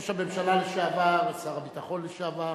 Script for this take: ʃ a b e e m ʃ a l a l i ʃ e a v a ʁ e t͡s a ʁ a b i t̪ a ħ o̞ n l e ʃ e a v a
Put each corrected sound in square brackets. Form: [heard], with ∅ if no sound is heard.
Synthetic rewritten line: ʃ a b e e m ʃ a l a l [e] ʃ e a v a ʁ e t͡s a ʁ a b i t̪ a [χ] o̞ n l e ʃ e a v a